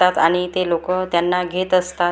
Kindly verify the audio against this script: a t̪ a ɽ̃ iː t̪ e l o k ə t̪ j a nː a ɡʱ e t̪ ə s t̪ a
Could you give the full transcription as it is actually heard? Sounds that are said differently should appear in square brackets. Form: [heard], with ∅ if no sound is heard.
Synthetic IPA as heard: a t̪ a ɽ̃ [i] t̪ e l o k ə t̪ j a nː a ɡʱ e t̪ ə s t̪ a